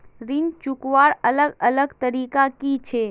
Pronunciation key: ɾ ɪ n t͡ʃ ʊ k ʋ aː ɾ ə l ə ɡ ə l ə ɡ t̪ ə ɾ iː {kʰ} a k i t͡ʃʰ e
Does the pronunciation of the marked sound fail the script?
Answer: yes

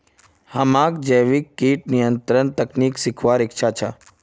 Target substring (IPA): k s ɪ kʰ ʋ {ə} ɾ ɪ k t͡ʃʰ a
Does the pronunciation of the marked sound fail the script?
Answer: yes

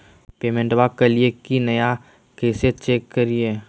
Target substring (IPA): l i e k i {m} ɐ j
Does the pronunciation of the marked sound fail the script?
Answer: yes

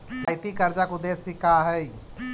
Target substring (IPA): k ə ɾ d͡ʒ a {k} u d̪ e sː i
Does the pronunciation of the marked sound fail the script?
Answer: no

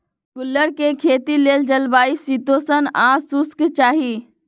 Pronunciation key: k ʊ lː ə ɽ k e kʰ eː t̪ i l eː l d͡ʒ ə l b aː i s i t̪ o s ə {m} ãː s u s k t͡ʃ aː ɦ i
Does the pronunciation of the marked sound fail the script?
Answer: yes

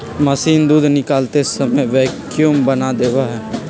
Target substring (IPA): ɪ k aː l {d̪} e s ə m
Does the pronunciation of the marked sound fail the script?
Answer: yes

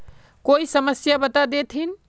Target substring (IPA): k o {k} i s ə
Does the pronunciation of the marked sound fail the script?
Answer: yes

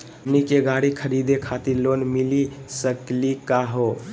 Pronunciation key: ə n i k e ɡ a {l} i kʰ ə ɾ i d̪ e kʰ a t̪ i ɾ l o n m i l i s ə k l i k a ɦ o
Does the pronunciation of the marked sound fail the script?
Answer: yes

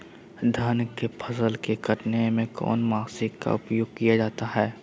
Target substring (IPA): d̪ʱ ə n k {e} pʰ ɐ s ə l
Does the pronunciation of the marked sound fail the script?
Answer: no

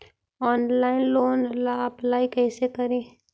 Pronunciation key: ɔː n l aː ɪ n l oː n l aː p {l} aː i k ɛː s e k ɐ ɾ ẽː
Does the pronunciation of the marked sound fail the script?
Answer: no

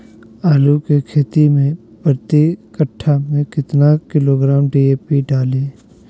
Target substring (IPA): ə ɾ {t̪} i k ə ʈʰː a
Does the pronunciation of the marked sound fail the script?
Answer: no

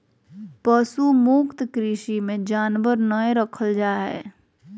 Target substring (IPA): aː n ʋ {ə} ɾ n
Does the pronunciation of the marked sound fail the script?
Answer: no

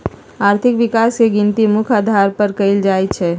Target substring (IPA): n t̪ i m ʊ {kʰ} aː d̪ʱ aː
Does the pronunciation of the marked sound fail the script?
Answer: no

